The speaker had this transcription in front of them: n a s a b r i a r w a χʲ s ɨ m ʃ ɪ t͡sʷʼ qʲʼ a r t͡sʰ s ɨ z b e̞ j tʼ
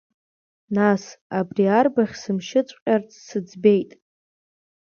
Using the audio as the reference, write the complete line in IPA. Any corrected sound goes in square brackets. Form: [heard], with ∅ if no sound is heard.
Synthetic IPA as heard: n a s a b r i a r [b] a χʲ s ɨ m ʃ ɪ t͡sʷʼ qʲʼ a r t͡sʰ s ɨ [d͡z] b e̞ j tʼ